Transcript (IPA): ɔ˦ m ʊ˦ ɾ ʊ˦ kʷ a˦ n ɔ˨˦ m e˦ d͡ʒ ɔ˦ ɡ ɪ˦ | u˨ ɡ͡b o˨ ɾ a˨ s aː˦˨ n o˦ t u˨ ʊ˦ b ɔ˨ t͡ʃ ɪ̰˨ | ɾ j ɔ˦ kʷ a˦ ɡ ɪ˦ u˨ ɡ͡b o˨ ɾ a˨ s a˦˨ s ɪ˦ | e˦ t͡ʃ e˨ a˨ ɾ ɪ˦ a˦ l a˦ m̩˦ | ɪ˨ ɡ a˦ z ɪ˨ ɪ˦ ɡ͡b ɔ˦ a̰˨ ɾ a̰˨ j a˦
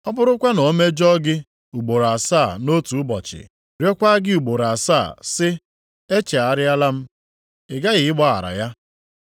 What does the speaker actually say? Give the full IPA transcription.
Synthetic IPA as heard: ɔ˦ b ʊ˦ ɾ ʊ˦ kʷ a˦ n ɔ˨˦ m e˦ d͡ʒ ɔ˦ ɡ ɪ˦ | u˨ ɡ͡b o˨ ɾ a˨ s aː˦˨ n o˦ t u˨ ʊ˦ b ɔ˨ t͡ʃ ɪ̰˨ | ɾ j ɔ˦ kʷ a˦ ɡ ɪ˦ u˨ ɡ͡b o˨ ɾ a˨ s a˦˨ s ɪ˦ | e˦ t͡ʃ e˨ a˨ ɾ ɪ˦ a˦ l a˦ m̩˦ | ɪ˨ ɡ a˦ ɣ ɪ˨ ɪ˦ ɡ͡b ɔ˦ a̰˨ ɾ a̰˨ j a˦

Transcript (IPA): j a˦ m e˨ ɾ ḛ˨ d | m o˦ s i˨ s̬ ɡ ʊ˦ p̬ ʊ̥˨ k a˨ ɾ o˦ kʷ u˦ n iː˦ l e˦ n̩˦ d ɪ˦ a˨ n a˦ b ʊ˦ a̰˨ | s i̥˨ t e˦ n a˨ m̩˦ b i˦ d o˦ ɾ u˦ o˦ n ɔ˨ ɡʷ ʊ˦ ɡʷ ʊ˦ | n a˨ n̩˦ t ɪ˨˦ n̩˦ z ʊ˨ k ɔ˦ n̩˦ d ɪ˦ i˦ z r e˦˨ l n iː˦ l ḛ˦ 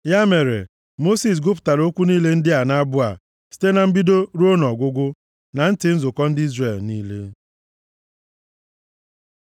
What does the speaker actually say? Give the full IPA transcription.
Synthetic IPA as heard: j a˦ m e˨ ɾ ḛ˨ | m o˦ s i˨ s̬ ɡ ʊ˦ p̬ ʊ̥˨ t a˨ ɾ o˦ kʷ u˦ n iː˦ l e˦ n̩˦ d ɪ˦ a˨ n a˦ b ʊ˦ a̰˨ | s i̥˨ t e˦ n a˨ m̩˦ b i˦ d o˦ ɾ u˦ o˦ n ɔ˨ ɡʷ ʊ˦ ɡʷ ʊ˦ | n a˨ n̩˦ t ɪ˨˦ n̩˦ z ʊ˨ k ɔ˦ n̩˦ d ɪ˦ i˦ z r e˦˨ l n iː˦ l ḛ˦

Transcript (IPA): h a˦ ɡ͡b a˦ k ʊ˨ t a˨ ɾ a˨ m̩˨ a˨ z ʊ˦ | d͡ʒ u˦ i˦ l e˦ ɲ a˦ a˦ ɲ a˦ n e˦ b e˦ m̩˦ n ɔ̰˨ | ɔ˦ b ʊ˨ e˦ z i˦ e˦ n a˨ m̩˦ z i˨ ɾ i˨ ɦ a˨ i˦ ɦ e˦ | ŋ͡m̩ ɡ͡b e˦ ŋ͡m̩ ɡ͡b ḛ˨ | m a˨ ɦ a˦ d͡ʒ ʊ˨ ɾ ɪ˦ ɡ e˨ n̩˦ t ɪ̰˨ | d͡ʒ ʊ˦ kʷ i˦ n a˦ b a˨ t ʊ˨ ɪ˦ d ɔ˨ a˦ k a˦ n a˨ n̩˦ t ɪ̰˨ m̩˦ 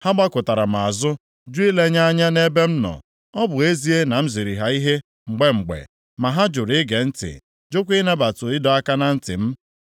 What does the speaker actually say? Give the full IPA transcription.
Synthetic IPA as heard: h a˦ ɡ͡b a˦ k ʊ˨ t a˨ ɾ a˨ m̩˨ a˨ z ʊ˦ | d͡ʒ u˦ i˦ l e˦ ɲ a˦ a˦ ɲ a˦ n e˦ b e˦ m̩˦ n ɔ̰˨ | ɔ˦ b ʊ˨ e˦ z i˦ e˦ n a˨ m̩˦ z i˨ ɾ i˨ ɦ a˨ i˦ ɦ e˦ | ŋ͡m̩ ɡ͡b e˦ ŋ͡m̩ ɡ͡b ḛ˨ | m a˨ ɦ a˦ d͡ʒ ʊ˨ ɾ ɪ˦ ɡ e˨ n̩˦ t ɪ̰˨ | d͡ʒ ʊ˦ kʷ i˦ n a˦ b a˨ t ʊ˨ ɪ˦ d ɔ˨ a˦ k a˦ n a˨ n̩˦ t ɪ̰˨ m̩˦

